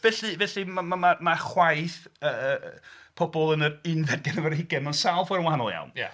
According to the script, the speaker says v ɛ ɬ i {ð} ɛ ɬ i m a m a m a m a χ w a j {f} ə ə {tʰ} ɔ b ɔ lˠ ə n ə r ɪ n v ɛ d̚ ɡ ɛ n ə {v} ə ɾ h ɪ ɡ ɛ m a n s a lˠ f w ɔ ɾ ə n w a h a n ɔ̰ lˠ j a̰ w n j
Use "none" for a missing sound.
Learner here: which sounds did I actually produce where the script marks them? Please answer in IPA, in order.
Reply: v, θ, pʰ, v

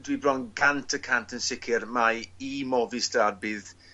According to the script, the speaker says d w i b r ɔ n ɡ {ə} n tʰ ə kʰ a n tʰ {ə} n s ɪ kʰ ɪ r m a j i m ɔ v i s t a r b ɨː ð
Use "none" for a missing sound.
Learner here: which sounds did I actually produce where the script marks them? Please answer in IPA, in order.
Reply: a, ə

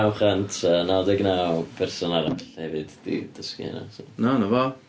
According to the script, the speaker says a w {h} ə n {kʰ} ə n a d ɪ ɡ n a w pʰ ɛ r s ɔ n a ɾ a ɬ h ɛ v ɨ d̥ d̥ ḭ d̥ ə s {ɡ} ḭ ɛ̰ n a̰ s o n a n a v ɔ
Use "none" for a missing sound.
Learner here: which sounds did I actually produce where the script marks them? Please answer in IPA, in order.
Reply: χ, tʰ, k

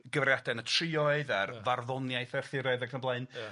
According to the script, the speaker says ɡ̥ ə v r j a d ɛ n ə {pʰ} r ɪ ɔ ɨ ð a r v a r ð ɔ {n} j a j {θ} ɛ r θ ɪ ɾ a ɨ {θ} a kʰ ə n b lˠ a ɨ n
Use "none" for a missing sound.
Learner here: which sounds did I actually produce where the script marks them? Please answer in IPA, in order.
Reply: tʰ, n, θ, ð

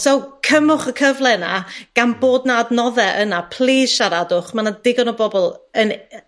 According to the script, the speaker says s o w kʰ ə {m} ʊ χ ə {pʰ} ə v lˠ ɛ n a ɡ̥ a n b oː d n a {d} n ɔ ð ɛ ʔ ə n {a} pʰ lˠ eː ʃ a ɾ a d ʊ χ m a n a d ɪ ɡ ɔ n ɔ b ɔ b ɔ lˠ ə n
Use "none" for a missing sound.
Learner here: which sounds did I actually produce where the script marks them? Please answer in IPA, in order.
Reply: m, kʰ, d, a

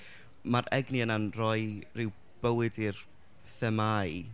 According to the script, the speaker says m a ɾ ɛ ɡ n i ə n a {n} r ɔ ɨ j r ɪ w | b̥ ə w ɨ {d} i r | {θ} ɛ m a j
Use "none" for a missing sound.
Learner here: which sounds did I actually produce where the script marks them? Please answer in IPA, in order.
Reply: n, d, θ

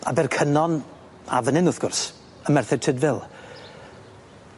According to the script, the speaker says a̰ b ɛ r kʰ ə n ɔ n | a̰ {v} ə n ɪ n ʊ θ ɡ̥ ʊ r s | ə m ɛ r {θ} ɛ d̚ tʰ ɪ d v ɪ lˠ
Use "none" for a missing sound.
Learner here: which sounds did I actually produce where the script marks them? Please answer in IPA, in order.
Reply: v, θ

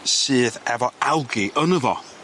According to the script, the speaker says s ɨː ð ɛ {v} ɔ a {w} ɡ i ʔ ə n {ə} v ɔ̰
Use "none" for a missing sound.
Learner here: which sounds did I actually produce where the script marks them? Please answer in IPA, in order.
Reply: v, w, ə

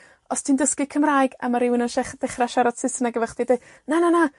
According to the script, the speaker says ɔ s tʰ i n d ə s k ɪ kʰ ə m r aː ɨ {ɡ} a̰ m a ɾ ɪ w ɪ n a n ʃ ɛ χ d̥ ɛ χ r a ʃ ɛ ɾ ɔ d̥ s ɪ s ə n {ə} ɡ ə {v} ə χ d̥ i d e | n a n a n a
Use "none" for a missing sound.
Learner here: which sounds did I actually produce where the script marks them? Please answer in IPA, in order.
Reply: ɡ, a, v

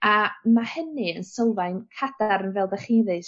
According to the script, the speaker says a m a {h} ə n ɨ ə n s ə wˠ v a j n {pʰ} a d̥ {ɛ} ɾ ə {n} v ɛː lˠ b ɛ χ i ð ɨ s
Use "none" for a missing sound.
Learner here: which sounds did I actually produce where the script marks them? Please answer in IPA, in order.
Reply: h, kʰ, a, n

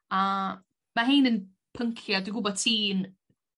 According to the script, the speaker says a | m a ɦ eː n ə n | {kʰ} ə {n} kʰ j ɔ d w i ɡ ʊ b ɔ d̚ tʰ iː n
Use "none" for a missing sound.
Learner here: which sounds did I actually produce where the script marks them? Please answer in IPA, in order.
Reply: pʰ, ŋ

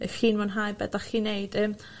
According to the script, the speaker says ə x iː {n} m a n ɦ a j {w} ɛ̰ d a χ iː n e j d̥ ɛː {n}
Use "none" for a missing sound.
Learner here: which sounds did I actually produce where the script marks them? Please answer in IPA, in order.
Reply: n, b, m

